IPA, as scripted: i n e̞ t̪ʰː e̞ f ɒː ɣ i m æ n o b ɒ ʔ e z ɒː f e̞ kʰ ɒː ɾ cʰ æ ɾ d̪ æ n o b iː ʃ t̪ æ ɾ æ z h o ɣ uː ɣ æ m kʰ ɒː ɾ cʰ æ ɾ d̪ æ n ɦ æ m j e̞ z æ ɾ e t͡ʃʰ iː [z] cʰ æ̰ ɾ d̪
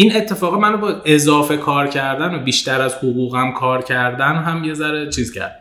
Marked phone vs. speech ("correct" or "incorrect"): correct